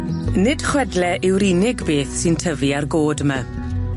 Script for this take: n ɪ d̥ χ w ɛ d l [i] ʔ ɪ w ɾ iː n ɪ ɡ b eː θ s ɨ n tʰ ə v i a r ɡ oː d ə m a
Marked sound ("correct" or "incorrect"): incorrect